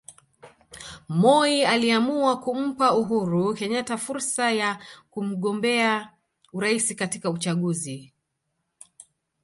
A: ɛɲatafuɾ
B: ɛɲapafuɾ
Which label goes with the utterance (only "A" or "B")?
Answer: A